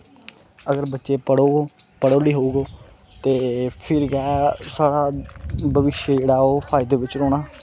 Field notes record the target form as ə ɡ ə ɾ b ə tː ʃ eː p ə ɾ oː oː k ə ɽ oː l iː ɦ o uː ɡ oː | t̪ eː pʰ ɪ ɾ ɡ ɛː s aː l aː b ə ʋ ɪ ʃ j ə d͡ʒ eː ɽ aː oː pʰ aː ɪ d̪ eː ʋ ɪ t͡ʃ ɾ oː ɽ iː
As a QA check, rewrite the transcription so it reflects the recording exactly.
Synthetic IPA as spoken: ə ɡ ə ɾ b ə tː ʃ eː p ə ɽ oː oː p ə ɽ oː l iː ɦ o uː ɡ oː | t̪ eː pʰ ɪ ɾ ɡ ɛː s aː ɽ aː b ə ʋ ɪ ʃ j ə d͡ʒ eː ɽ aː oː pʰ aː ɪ d̪ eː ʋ ɪ t͡ʃ ɾ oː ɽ aː